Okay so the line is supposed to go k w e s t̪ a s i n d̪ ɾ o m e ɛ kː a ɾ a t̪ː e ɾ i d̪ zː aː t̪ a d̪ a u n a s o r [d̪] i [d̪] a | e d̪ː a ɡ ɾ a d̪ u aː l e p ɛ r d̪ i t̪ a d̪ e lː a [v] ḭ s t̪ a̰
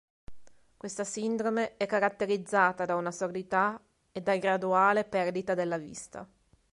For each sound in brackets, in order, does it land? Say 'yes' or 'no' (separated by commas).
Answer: yes, no, yes